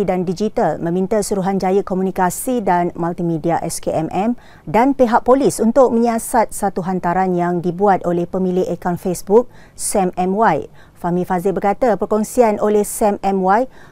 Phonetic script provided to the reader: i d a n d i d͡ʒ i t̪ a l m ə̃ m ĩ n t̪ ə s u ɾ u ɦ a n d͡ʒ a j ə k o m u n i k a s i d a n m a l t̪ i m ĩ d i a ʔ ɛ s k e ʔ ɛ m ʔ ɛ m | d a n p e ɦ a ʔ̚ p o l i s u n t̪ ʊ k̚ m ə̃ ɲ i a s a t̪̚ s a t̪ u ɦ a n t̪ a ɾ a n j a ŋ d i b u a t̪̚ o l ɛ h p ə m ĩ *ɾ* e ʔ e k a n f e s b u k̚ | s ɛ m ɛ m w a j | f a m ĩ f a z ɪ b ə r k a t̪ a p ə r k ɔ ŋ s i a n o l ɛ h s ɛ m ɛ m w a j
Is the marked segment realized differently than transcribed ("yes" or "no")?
yes